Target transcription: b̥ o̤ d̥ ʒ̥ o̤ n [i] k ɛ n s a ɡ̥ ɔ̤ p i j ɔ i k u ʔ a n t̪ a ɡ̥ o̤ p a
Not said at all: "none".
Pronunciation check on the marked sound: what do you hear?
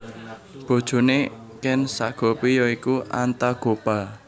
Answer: e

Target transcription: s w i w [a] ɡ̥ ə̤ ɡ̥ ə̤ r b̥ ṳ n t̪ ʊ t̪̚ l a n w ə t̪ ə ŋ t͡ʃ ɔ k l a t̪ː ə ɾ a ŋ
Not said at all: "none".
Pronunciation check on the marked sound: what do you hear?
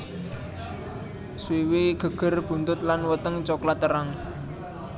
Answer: i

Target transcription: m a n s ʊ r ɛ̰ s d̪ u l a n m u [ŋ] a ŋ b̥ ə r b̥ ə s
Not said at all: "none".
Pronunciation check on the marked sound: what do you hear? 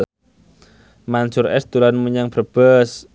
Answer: ɲ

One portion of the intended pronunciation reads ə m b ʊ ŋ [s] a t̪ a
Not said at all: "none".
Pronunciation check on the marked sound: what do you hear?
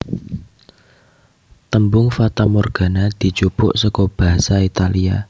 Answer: f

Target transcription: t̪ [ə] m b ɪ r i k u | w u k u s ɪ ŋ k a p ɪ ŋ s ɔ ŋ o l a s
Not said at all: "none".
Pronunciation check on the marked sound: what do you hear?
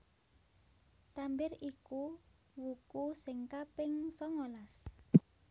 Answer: a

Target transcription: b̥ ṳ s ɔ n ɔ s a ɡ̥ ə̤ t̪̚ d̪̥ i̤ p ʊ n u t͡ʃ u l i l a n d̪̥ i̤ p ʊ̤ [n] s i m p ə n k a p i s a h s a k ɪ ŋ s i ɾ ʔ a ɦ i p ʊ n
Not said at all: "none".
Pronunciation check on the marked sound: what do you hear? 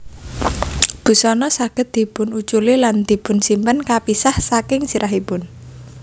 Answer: n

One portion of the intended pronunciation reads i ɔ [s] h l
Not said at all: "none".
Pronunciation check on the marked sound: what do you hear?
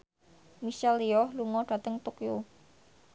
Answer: none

